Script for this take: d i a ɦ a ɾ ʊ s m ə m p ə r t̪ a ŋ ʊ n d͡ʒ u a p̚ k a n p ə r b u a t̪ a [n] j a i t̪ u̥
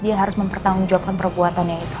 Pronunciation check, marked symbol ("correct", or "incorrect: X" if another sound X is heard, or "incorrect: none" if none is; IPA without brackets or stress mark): correct